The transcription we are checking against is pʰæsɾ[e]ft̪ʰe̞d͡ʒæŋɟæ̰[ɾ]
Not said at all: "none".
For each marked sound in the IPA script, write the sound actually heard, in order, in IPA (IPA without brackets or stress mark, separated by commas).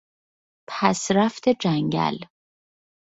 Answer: æ, l